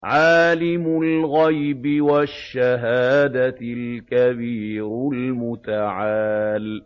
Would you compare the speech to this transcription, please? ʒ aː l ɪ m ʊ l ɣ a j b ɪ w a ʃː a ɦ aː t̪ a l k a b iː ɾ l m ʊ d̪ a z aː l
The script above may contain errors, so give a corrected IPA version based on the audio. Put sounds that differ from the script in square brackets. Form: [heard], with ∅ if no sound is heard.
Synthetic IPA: [ʕ] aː l ɪ m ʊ l ɣ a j b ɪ w a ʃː a ɦ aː [d̪] a l k a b iː ɾ l m ʊ [t̪] a [ʕ] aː l